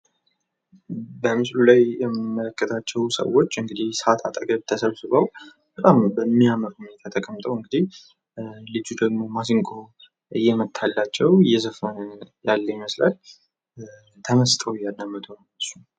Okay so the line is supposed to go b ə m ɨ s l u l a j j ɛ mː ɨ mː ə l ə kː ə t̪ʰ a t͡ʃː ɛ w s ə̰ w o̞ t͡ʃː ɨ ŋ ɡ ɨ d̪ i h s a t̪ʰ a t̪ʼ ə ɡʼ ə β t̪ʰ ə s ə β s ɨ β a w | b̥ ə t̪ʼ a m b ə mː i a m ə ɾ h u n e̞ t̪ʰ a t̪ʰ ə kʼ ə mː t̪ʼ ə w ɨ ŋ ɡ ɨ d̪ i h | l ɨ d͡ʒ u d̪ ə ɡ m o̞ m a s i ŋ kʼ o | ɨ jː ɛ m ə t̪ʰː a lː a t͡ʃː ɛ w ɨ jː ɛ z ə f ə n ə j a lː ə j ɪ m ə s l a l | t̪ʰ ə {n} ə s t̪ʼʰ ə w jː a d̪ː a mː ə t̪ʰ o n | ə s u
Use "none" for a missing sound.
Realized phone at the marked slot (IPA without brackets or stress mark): m